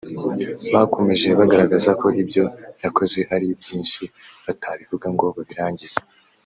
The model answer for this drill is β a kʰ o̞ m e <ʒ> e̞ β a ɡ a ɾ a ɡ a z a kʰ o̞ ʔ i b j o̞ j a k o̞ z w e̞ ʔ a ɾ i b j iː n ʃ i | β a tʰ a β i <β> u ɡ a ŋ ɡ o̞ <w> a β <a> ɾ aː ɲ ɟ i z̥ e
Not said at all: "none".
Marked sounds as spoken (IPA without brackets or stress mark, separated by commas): ʒ, v, β, i